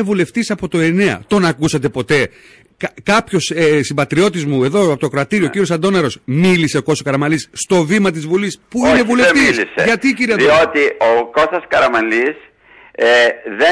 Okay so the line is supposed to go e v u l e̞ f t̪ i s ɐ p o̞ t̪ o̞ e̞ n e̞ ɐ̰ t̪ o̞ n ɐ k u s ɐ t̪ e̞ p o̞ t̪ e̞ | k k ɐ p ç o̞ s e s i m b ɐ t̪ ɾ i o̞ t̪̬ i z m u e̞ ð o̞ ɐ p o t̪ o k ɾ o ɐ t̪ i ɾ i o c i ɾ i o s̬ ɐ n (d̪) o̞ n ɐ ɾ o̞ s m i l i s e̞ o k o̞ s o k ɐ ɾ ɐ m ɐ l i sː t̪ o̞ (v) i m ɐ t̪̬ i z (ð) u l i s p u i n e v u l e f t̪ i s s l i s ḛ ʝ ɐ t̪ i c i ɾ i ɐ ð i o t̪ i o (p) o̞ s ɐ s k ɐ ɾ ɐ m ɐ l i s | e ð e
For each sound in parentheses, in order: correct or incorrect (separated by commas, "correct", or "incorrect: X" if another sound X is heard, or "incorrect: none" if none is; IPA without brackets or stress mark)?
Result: correct, correct, incorrect: v, incorrect: k